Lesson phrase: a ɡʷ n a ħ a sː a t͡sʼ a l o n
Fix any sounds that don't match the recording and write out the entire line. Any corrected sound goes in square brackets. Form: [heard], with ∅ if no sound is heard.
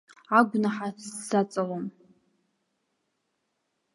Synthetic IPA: a ɡʷ n a ħ a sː a t͡sʼ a l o [m]

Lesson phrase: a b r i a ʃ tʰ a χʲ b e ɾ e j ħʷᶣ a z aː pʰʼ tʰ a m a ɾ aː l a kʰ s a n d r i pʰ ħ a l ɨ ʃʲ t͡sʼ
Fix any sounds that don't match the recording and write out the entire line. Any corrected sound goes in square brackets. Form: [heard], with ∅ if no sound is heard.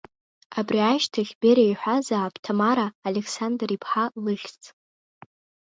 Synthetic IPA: a b r i a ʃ tʰ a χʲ b e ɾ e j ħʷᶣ a z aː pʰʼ tʰ a m a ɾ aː l [e] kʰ s a n d r i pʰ ħ a l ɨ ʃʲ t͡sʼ

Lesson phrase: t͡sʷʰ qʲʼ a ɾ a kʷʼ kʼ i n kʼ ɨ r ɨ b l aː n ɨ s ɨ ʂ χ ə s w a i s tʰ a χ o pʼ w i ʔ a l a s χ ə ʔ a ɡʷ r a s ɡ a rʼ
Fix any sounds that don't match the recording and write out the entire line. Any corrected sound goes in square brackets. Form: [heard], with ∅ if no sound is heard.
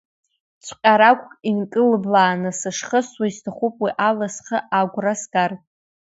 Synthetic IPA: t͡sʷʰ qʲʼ a ɾ a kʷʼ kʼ i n kʼ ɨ [l] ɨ b l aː n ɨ s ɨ ʂ χ ə s w a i s tʰ a χ [u] pʼ w i ʔ a l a s χ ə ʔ a ɡʷ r a s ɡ a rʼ

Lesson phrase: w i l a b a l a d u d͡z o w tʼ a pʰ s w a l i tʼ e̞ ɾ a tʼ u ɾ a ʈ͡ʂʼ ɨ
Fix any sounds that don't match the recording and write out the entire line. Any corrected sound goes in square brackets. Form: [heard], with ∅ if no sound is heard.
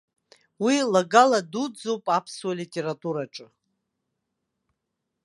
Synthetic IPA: w i l a [ɡ] a l a d u d͡z o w [pʼ] a pʰ s w a l i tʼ e̞ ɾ a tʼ u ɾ a ʈ͡ʂʼ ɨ

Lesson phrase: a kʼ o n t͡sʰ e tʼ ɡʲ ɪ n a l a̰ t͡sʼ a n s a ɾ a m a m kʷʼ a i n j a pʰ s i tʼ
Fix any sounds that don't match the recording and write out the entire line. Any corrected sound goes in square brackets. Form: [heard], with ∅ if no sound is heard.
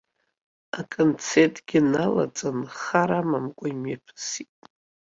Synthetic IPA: a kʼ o n t͡sʰ e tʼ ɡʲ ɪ n a l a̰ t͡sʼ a n [χ] a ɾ a m a m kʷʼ a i [m] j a pʰ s i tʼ

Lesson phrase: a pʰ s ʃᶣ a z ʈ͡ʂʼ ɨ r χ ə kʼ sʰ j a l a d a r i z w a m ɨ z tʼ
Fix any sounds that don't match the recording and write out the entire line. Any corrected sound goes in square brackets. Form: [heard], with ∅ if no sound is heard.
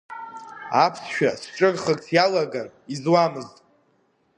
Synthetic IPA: a pʰ s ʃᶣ a [s] ʈ͡ʂʼ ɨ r χ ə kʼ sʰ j a l a [ɡ] a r i z w a m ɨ z tʼ

